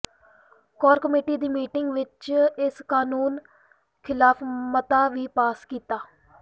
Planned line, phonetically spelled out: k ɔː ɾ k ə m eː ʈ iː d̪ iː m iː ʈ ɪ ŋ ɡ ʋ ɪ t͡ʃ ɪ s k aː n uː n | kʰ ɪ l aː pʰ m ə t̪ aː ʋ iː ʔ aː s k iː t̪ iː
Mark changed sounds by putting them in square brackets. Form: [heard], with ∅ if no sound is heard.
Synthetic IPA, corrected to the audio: k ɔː ɾ k ə m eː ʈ iː d̪ iː m iː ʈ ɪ ŋ ɡ ʋ ɪ t͡ʃ ɪ s k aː n uː n | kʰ ɪ l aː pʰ m ə t̪ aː ʋ iː [p] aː s k iː t̪ [aː]